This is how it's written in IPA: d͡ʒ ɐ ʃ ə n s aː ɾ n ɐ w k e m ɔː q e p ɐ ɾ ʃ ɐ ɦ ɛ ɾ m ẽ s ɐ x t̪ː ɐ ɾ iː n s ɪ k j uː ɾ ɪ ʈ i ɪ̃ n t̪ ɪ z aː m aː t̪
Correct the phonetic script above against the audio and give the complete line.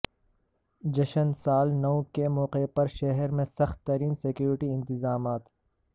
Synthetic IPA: d͡ʒ ɐ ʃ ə n s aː l n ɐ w k e m ɔː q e p ɐ ɾ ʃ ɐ ɦ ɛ ɾ m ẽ s ɐ x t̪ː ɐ ɾ iː n s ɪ k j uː ɾ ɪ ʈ i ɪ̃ n t̪ ɪ z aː m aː t̪